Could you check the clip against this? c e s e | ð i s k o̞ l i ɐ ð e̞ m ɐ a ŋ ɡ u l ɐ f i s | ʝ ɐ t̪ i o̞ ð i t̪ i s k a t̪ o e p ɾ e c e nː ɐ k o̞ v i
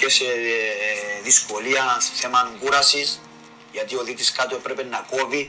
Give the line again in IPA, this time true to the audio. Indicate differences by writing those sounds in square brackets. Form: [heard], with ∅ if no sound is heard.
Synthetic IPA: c e s e | ð i s k o̞ l i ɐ [θ] e̞ m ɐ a ŋ ɡ u [ɾ] ɐ [s] i s | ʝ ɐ t̪ i o̞ ð i t̪ i s k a t̪ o e p ɾ e [p] e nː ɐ k o̞ v i